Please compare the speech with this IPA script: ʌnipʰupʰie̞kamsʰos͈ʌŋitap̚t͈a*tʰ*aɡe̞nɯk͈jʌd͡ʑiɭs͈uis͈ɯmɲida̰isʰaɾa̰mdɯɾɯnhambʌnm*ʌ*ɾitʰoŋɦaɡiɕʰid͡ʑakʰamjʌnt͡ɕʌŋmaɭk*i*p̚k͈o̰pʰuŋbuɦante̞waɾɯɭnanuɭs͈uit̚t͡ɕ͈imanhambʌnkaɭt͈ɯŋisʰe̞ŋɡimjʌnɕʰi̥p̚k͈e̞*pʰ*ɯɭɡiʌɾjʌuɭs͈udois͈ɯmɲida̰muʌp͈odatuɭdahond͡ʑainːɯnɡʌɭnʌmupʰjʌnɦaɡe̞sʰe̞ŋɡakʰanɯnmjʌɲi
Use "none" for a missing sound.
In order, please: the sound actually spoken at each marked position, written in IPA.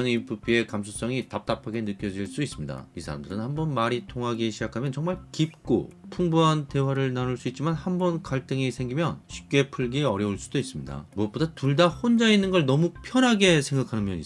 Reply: pʰ, a, i, pʰ

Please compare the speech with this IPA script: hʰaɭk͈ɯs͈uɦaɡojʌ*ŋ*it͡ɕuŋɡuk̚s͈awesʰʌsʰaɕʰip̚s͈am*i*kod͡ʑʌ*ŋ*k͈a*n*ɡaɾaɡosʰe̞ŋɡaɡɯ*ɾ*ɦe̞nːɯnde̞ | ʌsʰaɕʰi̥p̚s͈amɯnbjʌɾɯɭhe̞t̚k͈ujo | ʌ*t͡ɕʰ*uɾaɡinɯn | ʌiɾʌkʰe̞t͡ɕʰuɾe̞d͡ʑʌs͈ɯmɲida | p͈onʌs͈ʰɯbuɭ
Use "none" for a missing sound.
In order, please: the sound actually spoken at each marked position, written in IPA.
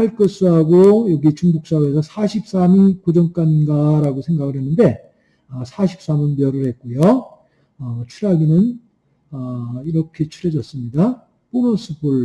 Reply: ɡ, i, ŋ, n, ɭ, t͡ɕʰ

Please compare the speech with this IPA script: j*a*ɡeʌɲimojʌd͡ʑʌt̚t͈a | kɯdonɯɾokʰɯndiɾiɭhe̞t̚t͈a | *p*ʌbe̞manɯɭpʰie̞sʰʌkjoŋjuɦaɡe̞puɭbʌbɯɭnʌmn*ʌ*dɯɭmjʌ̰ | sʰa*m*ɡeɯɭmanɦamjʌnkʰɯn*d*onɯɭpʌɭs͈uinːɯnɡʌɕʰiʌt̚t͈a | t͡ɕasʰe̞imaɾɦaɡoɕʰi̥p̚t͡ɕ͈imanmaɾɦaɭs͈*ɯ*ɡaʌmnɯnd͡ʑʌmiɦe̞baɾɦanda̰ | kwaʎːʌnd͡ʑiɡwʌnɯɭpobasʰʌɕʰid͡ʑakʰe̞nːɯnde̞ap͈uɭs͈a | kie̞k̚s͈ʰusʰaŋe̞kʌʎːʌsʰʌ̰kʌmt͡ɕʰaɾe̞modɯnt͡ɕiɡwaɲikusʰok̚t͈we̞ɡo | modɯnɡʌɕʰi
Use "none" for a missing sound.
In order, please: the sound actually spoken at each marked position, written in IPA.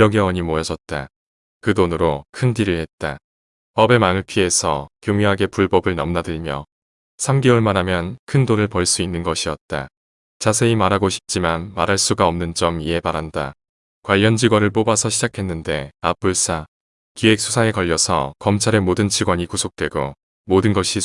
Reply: ʌ, p, a, m, d, u

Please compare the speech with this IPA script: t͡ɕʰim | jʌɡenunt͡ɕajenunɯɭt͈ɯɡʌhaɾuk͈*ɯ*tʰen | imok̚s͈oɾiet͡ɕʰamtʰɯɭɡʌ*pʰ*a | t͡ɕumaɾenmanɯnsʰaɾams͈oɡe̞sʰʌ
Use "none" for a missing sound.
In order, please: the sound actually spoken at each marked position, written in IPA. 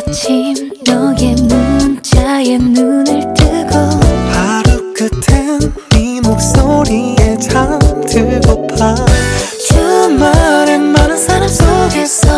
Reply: ɯ, pʰ

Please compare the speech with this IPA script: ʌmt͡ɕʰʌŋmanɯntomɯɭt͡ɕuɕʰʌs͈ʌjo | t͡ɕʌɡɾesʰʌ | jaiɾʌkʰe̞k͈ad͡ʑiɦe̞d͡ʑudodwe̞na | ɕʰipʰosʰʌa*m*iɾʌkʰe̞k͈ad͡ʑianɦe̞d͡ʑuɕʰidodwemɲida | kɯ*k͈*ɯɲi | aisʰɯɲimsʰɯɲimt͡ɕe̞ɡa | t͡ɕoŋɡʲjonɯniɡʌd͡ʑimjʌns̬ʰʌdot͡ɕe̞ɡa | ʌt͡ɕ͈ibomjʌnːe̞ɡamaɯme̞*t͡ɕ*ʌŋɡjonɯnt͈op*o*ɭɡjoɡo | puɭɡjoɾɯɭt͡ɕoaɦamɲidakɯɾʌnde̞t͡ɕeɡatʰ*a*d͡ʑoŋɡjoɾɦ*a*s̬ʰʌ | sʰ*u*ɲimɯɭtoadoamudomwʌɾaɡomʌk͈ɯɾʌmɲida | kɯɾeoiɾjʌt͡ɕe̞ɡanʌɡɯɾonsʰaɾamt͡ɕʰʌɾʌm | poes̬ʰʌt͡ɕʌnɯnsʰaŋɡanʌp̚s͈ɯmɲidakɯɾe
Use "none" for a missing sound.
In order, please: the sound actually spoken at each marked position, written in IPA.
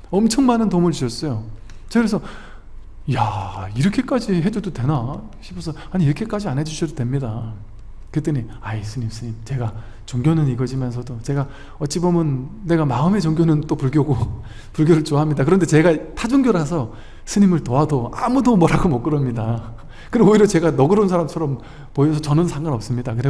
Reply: ɲ, t͈, t͡ɕ, u, a, a, ɯ

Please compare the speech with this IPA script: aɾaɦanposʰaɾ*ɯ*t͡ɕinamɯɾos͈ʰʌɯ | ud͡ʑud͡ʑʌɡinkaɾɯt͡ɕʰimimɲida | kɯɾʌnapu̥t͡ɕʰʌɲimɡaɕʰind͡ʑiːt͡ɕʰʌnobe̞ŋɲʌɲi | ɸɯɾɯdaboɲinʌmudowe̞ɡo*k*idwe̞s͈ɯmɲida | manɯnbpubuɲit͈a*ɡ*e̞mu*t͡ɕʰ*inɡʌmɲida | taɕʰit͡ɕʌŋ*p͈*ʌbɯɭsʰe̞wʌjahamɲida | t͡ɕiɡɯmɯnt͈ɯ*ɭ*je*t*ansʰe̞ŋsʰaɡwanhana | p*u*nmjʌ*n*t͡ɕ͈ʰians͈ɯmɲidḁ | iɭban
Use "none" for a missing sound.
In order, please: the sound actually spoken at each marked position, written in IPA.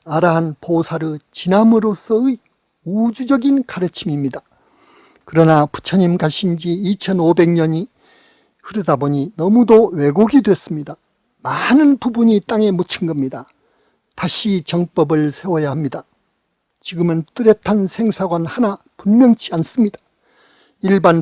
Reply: ɯ, ɡ, ŋ, t͡ɕʰ, p͈, ɾ, tʰ, u, ŋ

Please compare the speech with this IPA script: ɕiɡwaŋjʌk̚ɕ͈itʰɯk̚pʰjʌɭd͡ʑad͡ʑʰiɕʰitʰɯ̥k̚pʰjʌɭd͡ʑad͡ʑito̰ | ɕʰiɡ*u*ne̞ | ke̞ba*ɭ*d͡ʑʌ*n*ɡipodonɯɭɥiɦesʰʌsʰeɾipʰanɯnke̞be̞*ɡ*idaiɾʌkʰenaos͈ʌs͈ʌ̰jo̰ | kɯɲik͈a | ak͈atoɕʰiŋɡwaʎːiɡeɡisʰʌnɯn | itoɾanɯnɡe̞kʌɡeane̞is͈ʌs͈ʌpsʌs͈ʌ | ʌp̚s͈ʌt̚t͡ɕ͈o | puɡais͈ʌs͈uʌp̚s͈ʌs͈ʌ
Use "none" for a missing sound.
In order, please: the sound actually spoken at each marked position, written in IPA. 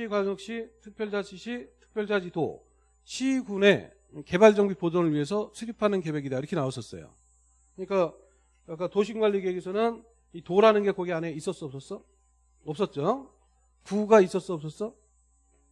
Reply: u, ɭ, ŋ, ɡ

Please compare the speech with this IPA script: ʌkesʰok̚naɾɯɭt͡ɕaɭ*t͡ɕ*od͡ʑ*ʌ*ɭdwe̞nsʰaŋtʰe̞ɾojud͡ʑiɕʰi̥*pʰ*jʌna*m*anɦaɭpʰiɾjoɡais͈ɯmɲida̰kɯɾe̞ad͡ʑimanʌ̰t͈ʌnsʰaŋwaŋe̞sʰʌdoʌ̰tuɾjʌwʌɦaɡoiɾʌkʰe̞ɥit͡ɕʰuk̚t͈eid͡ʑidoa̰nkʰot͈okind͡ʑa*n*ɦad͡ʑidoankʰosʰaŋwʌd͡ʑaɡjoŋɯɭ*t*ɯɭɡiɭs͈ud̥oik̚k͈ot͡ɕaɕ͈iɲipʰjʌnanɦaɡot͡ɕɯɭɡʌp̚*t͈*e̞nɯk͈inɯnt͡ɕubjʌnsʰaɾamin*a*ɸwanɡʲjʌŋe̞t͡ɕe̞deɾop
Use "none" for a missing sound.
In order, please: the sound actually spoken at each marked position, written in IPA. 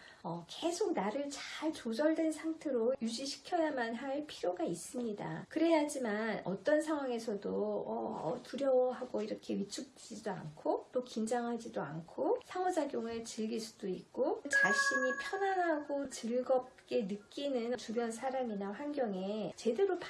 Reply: t͡ɕ, ʌ, kʰ, m, ŋ, t͡ɕ, k͈, a

